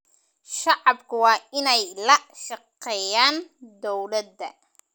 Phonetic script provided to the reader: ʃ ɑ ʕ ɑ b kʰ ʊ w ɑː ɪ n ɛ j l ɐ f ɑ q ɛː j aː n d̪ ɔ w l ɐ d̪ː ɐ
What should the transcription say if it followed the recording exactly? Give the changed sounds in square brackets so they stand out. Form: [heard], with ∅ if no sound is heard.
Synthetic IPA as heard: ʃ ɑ ʕ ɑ b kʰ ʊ w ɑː ɪ n ɛ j l ɐ [ʃ] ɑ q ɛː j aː n d̪ ɔ w l ɐ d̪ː ɐ